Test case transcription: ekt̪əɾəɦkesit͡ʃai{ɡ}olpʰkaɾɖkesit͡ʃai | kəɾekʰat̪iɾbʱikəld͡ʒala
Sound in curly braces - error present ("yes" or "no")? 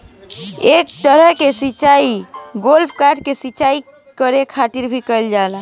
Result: no